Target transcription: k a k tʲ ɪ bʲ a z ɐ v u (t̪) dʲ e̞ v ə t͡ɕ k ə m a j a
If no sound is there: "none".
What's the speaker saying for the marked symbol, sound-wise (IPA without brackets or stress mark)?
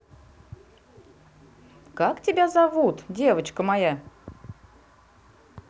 t̪